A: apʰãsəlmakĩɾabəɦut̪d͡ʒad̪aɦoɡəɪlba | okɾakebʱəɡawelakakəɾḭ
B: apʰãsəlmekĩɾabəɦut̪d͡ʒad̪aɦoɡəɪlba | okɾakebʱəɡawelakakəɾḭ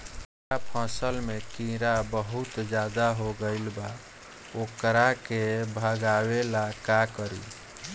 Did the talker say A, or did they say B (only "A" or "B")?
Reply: B